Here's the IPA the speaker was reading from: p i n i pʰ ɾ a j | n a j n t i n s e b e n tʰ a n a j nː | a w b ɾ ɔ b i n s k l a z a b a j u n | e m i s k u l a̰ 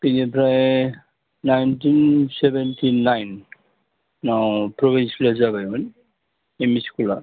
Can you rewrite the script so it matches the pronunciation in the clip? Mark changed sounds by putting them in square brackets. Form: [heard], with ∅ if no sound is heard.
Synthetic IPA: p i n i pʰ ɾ a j | n a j n t i n s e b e n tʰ [i] n a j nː | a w [p] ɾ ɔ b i n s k l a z a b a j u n | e m i s k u l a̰